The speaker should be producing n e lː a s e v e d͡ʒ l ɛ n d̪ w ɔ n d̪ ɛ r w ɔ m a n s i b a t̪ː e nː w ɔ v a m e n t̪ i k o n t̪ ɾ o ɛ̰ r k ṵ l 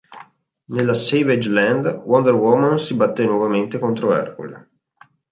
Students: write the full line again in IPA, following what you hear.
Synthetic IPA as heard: n e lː a s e v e d͡ʒ l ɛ n d̪ w ɔ n d̪ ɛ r w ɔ m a n s i b a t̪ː e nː w ɔ v a m e n t̪ e k o n t̪ ɾ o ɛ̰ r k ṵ l